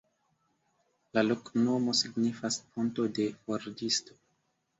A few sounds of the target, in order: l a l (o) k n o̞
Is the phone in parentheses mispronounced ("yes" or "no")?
no